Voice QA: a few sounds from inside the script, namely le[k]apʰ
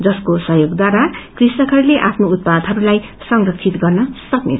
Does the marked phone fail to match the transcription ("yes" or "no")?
yes